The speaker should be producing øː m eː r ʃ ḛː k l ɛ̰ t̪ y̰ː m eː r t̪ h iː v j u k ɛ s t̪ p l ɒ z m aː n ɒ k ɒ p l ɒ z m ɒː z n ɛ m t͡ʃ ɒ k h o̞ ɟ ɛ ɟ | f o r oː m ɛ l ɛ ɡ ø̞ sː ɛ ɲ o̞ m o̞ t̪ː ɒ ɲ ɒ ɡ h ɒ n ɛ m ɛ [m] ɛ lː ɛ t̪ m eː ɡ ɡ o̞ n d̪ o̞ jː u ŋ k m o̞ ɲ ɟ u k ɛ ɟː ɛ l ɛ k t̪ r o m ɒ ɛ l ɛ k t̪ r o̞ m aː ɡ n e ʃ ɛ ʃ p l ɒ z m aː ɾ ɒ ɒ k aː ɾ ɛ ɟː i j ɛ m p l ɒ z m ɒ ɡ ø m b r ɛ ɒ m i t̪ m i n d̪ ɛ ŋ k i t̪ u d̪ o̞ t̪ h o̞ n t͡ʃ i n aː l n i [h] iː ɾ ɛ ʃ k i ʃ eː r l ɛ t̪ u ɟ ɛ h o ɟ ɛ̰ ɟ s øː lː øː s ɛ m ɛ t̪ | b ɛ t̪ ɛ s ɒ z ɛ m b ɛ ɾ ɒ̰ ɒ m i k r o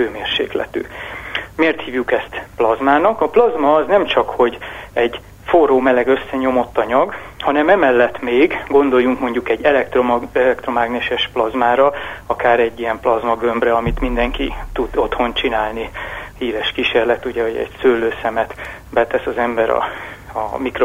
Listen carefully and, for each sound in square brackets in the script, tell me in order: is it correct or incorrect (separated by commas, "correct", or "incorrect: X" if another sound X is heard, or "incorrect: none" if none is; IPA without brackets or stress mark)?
correct, correct